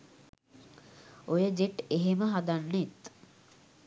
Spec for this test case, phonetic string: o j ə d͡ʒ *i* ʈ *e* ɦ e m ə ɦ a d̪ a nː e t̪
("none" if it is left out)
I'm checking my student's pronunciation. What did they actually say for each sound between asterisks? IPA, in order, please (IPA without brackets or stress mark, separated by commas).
e, e